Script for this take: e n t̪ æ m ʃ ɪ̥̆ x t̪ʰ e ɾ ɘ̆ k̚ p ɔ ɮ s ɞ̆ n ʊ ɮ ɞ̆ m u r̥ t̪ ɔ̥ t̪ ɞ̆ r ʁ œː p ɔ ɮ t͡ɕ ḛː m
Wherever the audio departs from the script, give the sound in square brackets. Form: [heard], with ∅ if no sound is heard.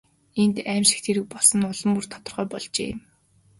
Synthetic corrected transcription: e n t̪ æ m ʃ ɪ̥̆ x t̪ʰ e ɾ ɘ̆ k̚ p ɔ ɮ s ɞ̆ n ʊ ɮ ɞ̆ m u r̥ [t̪ʰ] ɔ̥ t̪ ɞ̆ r ʁ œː p ɔ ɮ t͡ɕ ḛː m